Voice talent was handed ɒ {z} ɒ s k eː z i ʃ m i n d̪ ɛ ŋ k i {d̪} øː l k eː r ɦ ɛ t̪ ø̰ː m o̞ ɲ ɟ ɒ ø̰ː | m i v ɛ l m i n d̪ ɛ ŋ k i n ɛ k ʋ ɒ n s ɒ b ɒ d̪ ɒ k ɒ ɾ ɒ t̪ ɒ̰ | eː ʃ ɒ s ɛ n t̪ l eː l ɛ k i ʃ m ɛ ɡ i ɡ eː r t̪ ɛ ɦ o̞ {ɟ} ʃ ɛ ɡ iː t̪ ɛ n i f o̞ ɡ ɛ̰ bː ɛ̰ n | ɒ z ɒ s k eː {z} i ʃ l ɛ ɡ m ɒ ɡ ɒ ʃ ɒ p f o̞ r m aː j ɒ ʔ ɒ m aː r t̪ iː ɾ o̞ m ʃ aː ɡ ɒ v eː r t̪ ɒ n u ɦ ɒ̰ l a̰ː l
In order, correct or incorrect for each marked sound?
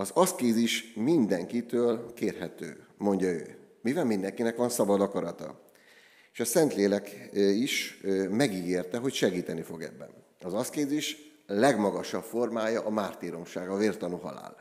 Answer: correct, incorrect, incorrect, correct

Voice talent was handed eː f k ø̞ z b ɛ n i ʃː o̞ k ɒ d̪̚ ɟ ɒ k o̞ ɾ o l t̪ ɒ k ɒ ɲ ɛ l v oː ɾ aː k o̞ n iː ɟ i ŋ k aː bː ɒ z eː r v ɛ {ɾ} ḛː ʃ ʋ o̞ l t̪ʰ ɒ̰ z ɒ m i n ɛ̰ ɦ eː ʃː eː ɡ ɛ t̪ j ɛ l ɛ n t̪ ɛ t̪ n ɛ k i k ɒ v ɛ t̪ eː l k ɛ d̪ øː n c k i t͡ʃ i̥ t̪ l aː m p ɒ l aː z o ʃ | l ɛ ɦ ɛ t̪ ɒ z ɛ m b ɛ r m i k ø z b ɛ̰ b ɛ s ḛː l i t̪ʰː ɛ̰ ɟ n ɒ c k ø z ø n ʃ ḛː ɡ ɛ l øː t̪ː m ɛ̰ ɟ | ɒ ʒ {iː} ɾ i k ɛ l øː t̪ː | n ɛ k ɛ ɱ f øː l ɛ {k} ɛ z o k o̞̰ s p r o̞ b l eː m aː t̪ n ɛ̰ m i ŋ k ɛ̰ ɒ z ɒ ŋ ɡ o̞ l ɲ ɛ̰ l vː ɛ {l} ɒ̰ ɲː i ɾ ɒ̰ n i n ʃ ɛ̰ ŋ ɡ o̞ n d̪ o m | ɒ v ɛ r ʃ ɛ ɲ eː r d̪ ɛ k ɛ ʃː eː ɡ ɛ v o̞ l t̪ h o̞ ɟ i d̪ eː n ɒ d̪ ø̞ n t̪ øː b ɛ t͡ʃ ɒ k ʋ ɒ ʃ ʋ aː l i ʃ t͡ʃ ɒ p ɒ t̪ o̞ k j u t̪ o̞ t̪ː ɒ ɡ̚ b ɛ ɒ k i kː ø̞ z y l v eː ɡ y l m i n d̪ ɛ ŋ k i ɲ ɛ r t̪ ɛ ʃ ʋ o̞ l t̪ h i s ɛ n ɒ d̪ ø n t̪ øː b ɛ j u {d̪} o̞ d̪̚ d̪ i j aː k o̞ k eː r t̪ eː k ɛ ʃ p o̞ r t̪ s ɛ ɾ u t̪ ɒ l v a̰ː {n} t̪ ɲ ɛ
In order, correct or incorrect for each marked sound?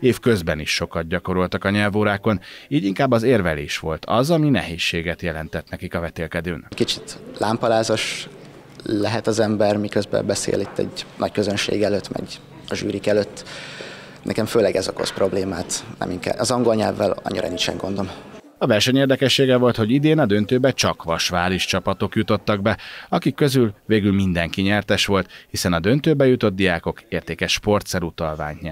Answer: incorrect, incorrect, incorrect, correct, incorrect, incorrect

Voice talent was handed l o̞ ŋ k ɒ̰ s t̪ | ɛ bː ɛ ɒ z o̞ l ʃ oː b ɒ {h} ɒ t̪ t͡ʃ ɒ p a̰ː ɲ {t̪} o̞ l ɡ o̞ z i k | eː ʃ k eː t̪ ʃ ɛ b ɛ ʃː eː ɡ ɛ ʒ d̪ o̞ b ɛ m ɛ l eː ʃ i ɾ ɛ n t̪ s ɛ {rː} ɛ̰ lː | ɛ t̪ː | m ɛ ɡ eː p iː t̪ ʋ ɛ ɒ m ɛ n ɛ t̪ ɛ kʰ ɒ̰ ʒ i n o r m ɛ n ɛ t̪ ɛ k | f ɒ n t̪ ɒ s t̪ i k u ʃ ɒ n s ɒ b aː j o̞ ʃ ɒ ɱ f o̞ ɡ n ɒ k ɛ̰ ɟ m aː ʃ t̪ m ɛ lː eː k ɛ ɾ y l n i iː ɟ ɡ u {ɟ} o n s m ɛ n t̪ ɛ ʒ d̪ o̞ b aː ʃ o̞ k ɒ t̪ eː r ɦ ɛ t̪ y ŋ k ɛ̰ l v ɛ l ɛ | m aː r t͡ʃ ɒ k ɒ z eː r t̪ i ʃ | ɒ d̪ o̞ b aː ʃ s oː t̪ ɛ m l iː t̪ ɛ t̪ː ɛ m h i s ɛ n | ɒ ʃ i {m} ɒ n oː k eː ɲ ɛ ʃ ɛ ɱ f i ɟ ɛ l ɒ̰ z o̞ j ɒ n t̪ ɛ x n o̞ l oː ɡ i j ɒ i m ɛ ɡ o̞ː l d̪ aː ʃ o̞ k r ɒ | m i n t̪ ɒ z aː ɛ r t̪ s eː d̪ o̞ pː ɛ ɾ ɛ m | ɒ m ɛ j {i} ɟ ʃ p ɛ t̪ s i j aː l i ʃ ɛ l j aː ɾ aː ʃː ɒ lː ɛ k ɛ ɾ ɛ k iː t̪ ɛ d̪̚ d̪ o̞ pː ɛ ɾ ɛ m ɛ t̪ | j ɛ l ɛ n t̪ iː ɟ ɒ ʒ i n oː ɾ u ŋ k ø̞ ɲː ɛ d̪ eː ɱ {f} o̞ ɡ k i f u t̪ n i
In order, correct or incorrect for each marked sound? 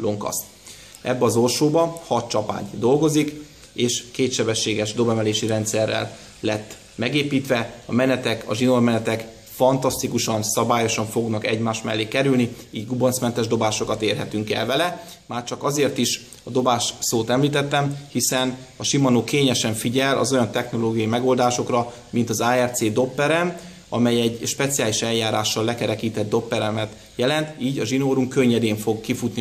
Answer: correct, incorrect, correct, incorrect, correct, incorrect, correct

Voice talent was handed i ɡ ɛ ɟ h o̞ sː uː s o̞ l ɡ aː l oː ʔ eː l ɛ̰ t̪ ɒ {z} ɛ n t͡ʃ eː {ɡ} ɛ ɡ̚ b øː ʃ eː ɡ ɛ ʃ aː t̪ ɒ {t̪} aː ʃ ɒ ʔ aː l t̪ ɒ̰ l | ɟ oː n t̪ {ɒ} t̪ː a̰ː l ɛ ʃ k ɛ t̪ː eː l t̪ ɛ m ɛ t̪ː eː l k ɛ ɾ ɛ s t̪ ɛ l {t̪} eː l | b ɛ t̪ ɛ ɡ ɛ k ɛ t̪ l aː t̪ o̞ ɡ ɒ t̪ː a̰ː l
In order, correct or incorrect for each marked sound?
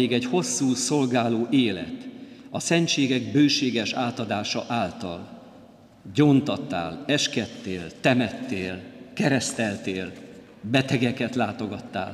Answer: incorrect, correct, incorrect, correct, correct

